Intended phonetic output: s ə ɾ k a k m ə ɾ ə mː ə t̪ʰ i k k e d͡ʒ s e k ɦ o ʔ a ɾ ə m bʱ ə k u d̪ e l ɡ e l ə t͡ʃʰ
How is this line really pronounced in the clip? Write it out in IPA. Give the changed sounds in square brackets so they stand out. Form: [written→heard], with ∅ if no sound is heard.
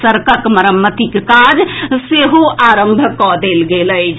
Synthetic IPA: s ə ɾ k [a→ə] k m ə ɾ ə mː ə [t̪ʰ→t̪] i k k [e→a] d͡ʒ s e [k→∅] ɦ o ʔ a ɾ ə m bʱ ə k [u→ɔ] d̪ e l ɡ e l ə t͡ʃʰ